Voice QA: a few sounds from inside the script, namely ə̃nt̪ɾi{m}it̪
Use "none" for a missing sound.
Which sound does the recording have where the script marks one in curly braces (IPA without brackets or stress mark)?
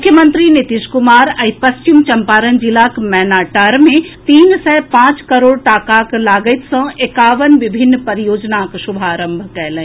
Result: n